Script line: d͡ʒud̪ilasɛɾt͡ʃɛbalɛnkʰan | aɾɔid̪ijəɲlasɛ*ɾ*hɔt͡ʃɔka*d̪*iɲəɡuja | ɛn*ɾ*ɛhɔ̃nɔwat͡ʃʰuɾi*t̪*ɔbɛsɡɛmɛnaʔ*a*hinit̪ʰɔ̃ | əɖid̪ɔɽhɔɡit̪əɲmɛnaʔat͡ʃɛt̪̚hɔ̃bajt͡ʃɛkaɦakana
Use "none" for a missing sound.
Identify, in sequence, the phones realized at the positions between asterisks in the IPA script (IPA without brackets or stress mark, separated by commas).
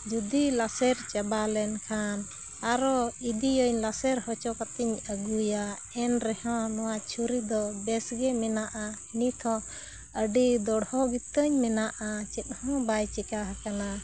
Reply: ɾ, t̪, ɾ, d̪, a